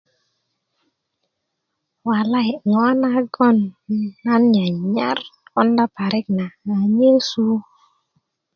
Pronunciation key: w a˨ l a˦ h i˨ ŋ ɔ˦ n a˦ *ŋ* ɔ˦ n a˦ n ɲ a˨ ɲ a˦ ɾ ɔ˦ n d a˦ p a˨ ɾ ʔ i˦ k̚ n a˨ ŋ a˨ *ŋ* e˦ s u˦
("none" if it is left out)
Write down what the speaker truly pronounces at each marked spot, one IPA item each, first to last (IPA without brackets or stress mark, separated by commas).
ɡ, ɲ